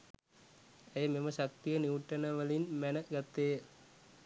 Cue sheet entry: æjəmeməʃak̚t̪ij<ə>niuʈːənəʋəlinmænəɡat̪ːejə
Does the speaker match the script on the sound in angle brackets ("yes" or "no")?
yes